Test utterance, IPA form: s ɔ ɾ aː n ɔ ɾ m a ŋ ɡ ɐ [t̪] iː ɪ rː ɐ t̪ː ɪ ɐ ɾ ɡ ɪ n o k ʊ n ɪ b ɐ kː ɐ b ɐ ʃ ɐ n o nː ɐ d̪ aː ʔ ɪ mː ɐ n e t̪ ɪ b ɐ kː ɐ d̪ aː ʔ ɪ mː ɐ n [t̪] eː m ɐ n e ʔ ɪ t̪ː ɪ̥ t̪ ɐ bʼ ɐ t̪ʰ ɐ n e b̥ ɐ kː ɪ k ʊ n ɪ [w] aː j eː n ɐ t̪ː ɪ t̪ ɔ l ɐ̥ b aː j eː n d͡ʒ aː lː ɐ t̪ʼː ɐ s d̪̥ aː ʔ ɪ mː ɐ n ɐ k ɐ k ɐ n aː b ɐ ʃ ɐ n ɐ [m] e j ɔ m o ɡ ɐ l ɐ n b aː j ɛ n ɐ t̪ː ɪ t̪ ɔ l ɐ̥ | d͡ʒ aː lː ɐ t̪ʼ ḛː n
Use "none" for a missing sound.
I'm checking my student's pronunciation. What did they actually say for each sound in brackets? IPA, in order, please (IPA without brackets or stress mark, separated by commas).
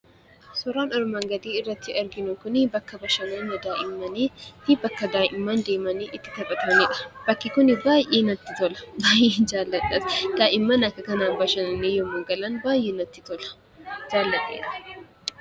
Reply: d̪, d̪, b, n